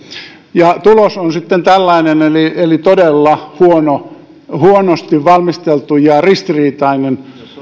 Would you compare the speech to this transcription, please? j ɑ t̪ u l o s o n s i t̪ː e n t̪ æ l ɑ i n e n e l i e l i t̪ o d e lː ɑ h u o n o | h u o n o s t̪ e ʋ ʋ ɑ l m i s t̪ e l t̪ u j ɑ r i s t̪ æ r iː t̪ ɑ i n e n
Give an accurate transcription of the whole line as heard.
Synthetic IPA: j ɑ t̪ u l o s o n s i t̪ː e n t̪ æ lː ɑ i n e n e l i e l i t̪ o d e lː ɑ h u o n o | h u o n o s t̪ i ʋ ʋ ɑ l m i s t̪ e l t̪ u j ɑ r i s t̪ i r iː t̪ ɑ i n e n